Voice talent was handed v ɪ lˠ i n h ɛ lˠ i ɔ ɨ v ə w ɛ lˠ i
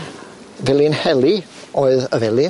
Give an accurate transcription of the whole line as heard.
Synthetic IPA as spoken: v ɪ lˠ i n h ɛ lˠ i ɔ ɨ ð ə v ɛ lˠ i